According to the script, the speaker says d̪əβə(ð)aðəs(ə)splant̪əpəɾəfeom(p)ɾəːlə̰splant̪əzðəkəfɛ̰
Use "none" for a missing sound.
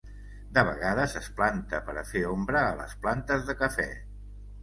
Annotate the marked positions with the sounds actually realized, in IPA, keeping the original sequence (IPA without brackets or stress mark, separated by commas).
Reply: ɣ, ə, b